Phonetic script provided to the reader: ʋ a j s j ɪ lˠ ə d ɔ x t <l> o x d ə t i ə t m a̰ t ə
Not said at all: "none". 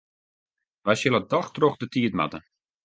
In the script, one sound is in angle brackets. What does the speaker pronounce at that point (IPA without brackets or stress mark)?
r